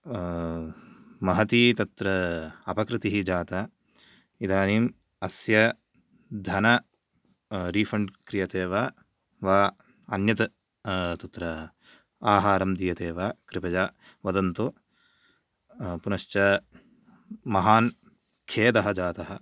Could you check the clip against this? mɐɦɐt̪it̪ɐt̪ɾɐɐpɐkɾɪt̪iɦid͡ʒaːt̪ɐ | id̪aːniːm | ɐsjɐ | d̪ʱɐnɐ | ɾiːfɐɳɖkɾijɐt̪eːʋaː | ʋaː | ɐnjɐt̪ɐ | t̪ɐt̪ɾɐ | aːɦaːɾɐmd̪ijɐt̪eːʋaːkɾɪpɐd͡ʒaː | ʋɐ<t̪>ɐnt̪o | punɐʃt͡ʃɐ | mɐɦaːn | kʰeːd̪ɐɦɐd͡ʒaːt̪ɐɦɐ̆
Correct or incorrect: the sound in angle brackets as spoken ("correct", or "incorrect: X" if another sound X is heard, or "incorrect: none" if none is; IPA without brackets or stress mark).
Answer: incorrect: d̪